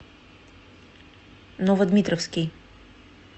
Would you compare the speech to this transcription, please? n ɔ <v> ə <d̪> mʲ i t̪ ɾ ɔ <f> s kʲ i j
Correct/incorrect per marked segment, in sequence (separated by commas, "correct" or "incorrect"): correct, correct, correct